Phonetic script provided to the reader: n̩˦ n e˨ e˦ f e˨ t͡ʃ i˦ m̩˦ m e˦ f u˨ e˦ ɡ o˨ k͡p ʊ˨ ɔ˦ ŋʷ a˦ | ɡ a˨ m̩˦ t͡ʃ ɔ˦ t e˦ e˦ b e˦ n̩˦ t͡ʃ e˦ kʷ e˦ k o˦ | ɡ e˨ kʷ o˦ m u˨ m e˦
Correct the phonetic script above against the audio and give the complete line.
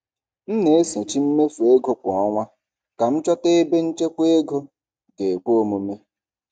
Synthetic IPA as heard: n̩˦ n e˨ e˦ s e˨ t͡ʃ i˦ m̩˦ m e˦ f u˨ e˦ ɡ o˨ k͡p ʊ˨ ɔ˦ ŋʷ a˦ | k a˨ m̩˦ t͡ʃ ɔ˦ t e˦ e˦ b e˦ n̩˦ t͡ʃ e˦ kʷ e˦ ɡ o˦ | ɡ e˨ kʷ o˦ m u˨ m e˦